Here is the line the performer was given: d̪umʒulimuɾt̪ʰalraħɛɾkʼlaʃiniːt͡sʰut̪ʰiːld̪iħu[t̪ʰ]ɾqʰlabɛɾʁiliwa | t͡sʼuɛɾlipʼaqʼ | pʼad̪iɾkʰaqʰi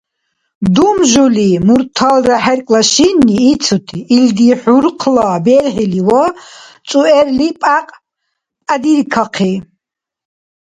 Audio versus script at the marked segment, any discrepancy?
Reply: yes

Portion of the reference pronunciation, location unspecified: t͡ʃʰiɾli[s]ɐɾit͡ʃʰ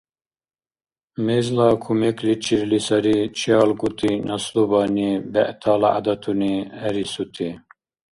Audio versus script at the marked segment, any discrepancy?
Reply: no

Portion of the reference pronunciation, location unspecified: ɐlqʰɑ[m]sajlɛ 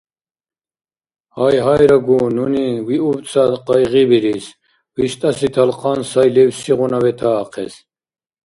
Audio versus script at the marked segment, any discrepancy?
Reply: yes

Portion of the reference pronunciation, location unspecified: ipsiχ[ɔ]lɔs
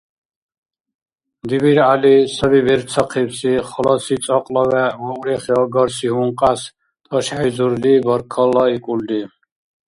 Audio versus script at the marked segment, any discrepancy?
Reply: no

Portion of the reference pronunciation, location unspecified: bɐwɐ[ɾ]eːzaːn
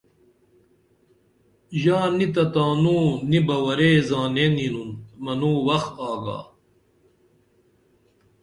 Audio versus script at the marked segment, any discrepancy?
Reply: no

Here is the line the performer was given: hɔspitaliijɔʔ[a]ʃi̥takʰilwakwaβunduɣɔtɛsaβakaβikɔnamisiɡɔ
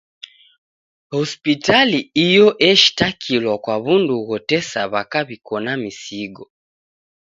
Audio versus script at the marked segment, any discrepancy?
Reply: yes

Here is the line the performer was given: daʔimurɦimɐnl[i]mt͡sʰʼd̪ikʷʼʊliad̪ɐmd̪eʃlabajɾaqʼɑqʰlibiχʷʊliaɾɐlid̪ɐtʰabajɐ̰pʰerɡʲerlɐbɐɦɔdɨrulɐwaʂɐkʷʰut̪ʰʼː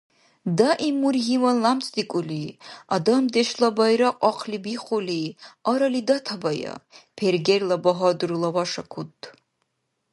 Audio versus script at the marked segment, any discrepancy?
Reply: yes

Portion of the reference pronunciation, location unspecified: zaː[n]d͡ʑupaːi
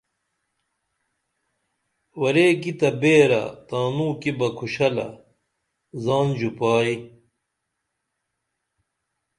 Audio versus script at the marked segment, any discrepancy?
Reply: no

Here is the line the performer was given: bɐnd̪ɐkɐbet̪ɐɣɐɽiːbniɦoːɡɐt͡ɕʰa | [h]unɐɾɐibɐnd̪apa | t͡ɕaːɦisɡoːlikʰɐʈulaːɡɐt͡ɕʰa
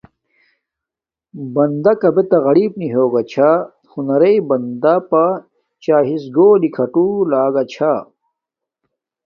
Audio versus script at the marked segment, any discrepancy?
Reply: no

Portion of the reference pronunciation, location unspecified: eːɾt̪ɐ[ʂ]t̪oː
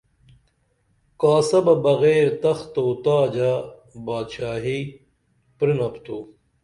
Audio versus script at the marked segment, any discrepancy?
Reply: yes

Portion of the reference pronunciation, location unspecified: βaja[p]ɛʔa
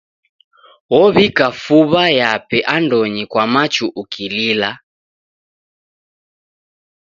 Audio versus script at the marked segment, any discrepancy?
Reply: no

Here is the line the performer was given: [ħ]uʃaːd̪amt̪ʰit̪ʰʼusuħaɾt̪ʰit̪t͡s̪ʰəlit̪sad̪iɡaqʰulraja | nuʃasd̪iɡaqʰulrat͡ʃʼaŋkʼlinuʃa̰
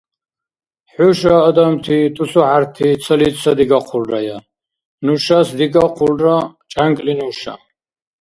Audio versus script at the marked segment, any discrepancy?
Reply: no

